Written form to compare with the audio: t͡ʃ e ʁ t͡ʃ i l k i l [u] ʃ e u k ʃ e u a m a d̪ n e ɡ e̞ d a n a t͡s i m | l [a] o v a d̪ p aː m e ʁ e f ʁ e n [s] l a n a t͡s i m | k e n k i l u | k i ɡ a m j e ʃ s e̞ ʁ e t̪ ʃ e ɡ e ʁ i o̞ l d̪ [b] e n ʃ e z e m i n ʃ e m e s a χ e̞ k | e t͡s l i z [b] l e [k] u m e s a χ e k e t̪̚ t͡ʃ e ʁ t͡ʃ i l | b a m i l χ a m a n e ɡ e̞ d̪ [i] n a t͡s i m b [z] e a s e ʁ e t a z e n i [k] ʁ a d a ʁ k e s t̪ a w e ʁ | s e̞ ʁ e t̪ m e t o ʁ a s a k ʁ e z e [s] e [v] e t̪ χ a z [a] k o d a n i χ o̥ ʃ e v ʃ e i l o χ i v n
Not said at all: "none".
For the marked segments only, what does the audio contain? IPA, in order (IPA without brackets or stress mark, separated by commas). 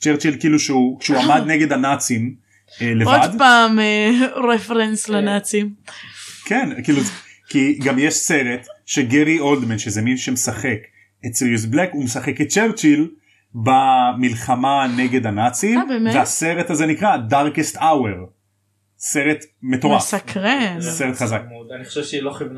u, e, s, m, b, k, a, v, k, s, ʁ, a